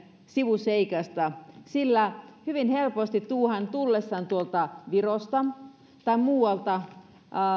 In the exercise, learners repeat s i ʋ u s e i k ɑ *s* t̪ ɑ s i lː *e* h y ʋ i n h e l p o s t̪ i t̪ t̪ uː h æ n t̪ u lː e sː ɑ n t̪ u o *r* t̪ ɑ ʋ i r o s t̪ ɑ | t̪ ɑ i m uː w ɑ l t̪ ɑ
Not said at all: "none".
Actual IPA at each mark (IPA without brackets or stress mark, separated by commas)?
s, æ, l